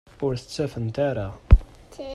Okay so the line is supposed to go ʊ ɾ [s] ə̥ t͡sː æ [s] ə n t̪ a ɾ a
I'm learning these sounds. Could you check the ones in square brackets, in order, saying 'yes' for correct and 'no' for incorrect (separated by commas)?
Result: no, no